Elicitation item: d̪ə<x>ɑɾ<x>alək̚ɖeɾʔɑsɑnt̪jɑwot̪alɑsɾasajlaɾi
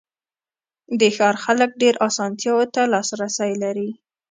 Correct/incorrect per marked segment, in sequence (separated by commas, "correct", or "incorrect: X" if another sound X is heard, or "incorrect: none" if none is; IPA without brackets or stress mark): correct, correct